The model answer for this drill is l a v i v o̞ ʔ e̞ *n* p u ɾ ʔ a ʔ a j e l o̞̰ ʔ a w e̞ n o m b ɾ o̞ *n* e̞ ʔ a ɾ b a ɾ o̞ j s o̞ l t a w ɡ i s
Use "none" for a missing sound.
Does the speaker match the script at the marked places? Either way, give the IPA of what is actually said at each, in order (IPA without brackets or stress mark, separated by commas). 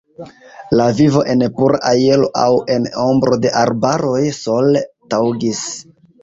n, d